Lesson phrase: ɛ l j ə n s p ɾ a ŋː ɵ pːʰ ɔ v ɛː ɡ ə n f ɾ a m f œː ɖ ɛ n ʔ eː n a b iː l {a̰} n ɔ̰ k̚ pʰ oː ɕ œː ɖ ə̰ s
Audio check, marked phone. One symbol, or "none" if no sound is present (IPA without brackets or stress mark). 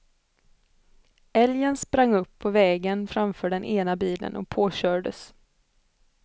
ə̰